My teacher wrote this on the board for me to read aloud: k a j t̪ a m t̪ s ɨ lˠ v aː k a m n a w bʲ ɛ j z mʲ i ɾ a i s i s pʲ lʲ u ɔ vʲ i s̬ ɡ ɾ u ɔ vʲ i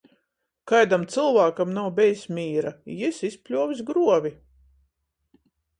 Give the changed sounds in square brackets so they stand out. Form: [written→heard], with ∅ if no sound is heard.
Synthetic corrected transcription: k a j [t̪→d̪] a m t̪ s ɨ lˠ v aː k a m n a w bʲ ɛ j [z→s] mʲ [i→iː] ɾ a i s i s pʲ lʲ u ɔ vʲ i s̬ ɡ ɾ u ɔ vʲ i